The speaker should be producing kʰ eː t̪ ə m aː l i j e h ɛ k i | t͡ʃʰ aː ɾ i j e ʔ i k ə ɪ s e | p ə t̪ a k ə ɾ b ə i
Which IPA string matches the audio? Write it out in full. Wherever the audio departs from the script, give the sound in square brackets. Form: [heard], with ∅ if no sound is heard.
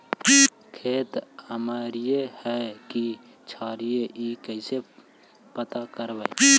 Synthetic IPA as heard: kʰ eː t̪ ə m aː [ɾ] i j e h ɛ k i | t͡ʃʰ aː ɾ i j e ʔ i k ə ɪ s e | p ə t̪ a k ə ɾ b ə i